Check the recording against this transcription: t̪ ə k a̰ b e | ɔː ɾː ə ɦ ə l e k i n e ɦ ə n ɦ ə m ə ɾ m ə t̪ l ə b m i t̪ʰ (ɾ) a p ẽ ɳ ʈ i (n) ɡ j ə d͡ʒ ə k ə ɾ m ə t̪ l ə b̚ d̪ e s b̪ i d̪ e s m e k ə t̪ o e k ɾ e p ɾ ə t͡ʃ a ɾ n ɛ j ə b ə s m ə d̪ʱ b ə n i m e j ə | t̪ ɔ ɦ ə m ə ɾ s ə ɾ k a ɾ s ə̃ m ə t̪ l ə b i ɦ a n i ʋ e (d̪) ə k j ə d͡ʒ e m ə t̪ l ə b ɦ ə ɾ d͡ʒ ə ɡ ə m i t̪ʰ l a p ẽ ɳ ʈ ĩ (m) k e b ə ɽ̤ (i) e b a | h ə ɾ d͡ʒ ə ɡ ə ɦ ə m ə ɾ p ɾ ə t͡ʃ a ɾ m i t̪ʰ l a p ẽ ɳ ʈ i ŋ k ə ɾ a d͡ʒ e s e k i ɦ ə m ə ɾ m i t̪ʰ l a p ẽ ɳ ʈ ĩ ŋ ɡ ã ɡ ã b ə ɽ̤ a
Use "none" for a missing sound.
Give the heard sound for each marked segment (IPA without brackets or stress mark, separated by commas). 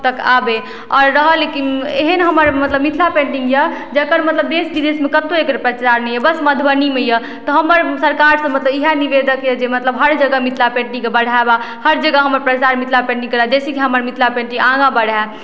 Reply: l, ŋ, d̪, ŋ, a